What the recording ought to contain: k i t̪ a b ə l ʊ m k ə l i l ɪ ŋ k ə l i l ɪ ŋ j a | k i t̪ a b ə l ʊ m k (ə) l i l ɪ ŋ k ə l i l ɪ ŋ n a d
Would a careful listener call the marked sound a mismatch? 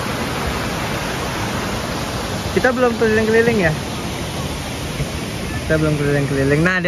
no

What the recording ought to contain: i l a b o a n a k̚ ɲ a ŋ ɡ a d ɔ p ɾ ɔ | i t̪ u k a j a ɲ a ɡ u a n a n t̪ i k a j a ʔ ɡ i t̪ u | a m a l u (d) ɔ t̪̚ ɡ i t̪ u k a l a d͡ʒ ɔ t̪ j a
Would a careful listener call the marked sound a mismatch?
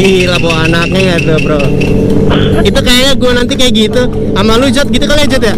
yes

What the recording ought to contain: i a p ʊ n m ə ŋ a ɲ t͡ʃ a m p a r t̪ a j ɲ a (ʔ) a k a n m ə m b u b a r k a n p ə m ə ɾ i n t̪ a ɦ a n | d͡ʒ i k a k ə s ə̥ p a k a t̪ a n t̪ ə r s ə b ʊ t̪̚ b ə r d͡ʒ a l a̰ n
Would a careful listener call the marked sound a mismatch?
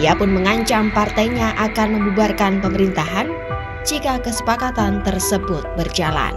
no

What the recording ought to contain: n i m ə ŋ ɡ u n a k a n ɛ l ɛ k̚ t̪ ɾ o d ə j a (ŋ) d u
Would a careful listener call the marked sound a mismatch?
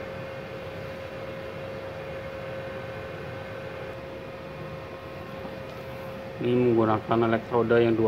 no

